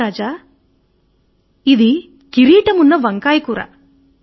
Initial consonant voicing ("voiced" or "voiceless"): voiced